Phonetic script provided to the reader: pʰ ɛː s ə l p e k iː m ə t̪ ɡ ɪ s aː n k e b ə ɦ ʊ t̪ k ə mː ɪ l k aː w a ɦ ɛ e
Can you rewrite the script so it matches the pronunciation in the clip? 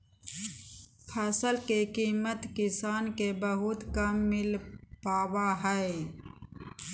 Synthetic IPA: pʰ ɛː s ə l k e k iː m ə t̪ k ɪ s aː n k e b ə ɦ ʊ t̪ k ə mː ɪ l p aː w a ɦ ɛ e

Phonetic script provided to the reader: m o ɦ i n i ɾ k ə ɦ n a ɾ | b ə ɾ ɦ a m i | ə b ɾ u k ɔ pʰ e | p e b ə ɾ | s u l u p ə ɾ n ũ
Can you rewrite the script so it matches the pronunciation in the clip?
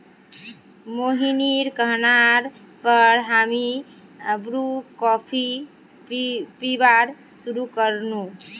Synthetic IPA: m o ɦ i n i ɾ k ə ɦ n a ɾ | p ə ɾ ɦ a m i | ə b ɾ u k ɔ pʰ i | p i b a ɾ | s u ɾ u k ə ɾ n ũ

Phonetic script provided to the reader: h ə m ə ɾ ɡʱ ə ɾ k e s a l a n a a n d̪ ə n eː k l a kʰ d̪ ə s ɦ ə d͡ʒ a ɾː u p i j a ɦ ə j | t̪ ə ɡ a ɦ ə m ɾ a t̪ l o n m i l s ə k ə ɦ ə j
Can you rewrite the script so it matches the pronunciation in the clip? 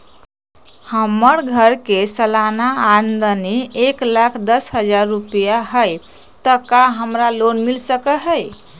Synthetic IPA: h ə m ə ɾ ɡʱ ə ɾ k e s ə l a n a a n d̪ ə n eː k l a kʰ d̪ ə s ɦ ə d͡ʒ a ɾː u p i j a ɦ ə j | t̪ ə k a ɦ ə m ɾ a l o n m i l s ə k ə ɦ ə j

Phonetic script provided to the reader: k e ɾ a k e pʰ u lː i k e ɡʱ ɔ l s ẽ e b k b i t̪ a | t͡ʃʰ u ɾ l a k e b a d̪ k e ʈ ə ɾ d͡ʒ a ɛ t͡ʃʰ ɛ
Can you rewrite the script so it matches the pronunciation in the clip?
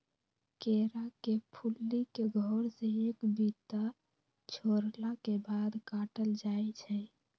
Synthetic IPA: k e ɾ a k e pʰ u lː i k e ɡʱ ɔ ɾ s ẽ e k b i t̪ a | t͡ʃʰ o ɾ l a k e b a d̪ k a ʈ ə l d͡ʒ a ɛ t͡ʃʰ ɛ

